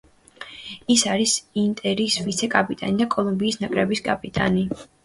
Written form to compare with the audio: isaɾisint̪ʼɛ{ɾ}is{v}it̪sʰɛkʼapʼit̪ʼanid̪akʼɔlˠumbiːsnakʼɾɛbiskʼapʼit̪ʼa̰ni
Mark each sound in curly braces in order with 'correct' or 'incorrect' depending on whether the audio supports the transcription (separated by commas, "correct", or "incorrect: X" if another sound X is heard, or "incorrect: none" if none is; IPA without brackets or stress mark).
correct, correct